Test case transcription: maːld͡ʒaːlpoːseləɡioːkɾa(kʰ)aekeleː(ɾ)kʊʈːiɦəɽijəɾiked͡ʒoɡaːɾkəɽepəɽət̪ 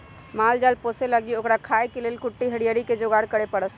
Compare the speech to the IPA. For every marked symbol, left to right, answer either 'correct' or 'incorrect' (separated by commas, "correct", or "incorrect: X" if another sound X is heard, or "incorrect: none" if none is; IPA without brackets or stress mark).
correct, incorrect: l